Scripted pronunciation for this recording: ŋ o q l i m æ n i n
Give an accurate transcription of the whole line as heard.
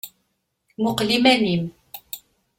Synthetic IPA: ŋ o q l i m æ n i m